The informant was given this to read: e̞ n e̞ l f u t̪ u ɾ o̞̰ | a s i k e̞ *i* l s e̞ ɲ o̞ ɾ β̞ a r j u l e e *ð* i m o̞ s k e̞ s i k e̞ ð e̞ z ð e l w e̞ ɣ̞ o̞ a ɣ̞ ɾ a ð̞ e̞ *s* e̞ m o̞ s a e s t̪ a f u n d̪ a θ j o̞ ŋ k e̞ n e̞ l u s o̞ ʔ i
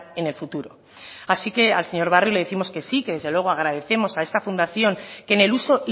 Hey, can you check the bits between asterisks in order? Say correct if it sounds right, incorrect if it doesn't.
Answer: incorrect: a, incorrect: θ, incorrect: θ

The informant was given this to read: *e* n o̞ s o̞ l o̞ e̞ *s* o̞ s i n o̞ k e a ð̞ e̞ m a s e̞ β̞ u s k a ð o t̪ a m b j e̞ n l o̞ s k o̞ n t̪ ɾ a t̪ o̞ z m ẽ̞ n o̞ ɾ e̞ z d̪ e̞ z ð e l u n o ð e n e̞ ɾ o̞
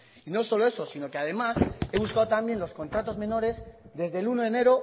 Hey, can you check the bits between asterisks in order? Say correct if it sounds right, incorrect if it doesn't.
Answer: incorrect: i, correct

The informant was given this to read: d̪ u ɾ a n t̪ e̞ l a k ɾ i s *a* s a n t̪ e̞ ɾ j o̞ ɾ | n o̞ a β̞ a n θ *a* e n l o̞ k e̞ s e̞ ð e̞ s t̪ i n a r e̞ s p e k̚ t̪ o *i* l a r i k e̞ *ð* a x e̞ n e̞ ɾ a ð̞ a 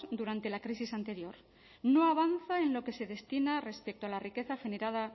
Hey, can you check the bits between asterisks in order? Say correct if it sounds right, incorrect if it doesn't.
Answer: incorrect: i, correct, incorrect: a, incorrect: θ

